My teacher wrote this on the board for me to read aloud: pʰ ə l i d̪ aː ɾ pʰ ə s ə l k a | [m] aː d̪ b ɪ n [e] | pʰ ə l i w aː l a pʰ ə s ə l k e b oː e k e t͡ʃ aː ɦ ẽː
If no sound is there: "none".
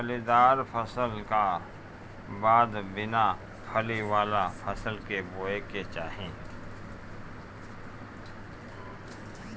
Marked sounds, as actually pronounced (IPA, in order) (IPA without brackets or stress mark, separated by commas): b, a